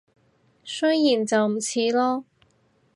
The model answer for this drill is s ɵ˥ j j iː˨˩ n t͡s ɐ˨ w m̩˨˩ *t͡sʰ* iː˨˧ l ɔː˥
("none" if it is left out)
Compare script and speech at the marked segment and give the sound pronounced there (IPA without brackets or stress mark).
t͡sʰ